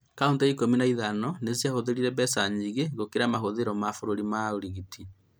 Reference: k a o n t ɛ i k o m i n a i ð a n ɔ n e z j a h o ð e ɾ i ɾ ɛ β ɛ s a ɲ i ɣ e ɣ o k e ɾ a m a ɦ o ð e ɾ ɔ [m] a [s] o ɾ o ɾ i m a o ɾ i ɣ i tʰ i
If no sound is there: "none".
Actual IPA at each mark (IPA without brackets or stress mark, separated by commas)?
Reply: m, f